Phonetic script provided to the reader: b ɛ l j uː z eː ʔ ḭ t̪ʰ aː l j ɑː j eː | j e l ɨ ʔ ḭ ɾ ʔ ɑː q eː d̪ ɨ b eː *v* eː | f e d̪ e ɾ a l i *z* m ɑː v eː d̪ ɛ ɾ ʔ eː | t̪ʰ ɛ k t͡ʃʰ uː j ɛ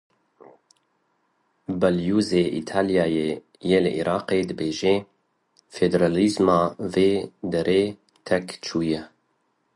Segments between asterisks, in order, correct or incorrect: incorrect: ʒ, correct

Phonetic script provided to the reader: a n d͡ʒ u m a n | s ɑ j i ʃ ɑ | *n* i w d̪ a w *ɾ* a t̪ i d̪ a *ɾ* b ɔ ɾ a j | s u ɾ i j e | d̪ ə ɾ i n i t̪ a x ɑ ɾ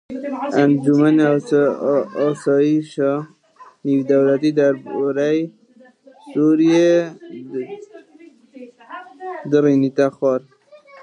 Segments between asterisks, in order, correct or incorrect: correct, incorrect: l, correct

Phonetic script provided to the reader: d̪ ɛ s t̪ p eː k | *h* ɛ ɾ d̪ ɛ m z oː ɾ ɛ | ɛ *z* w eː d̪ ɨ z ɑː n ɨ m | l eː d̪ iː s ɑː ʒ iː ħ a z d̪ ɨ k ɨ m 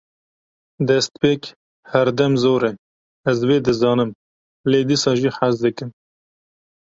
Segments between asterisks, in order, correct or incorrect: correct, correct

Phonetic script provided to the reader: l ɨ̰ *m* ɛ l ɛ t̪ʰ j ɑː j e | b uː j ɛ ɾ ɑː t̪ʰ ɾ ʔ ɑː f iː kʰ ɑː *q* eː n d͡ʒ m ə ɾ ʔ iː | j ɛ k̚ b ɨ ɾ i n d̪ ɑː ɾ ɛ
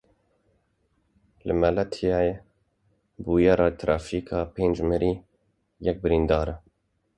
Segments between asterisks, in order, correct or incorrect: correct, incorrect: p

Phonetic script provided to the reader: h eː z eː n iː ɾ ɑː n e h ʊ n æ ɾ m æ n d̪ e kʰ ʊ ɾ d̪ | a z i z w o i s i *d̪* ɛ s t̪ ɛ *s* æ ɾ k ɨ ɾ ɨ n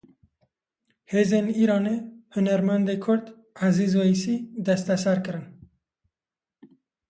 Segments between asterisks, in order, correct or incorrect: correct, correct

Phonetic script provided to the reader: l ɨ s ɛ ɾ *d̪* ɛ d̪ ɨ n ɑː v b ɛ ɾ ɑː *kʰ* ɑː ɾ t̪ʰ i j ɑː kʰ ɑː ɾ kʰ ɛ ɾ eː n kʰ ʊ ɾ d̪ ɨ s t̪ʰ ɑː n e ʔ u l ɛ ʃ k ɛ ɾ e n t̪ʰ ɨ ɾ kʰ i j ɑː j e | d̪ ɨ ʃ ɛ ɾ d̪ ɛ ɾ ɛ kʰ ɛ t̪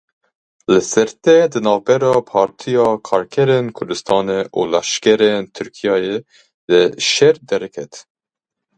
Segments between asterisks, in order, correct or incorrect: incorrect: t̪, incorrect: pʰ

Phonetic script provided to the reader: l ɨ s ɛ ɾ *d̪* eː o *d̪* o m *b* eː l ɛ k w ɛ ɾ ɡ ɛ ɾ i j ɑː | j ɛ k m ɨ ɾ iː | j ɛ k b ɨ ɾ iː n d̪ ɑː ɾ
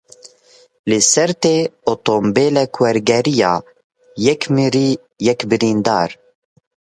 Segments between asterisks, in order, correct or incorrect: incorrect: t̪, incorrect: t̪, correct

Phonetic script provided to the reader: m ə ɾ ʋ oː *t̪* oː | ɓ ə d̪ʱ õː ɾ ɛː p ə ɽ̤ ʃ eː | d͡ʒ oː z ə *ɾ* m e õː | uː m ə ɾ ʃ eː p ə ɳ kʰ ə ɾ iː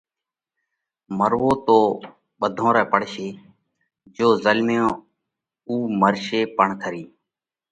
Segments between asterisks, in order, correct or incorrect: correct, incorrect: l

